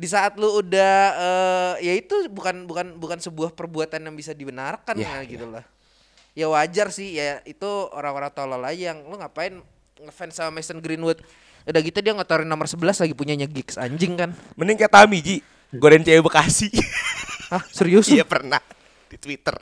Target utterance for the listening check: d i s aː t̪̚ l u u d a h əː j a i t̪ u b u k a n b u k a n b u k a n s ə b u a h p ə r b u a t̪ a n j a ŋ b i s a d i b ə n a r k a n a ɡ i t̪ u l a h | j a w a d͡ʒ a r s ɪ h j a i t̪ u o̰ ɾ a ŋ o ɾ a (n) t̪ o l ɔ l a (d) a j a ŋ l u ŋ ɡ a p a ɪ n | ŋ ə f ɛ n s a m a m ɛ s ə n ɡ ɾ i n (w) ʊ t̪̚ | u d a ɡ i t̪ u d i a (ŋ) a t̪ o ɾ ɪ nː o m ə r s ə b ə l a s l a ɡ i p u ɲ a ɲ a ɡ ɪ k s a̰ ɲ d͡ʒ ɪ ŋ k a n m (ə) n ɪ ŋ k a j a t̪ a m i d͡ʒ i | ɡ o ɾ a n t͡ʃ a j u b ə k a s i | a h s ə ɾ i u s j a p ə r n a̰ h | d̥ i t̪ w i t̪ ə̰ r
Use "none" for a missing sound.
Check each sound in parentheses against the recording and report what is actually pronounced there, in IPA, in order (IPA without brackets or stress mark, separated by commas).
ŋ, d͡ʒ, w, ŋ, ə